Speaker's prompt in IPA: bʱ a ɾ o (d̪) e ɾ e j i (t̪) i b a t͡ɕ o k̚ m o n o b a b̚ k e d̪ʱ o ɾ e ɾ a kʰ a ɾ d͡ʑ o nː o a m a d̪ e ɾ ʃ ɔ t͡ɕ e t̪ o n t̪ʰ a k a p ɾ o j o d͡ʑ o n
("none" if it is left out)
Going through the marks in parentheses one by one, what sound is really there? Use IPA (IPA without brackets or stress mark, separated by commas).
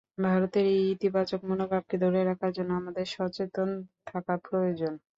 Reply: t̪, t̪